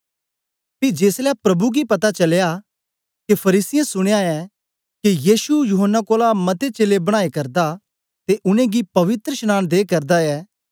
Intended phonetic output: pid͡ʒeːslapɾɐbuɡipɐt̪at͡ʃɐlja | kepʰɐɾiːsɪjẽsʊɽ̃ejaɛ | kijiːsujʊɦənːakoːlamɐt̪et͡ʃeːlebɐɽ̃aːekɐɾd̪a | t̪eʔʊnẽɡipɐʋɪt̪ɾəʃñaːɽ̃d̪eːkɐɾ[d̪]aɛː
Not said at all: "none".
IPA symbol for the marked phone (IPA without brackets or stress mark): d̪